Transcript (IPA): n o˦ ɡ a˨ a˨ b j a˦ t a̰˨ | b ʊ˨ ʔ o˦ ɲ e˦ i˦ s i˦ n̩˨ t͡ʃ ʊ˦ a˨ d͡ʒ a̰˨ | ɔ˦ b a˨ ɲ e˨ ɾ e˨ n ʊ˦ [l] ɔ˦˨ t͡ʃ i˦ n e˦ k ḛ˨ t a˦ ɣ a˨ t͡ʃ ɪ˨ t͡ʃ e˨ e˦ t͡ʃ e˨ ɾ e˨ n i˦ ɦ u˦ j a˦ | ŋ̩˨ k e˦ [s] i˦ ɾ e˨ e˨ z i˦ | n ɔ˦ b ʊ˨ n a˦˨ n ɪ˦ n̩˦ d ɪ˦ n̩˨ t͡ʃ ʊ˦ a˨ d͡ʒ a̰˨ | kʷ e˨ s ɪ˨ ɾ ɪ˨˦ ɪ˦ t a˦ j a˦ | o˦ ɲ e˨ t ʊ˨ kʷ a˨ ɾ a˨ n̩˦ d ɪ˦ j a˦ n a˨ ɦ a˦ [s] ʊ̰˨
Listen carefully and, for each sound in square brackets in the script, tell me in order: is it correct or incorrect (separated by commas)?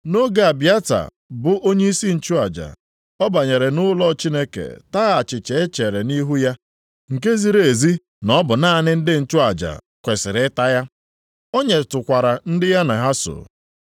correct, incorrect, correct